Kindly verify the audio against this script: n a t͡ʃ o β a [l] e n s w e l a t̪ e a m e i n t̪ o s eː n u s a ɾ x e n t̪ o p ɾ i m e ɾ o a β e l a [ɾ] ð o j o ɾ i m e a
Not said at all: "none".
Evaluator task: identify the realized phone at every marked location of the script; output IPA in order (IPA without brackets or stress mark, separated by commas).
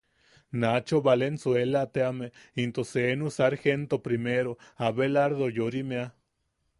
l, ɾ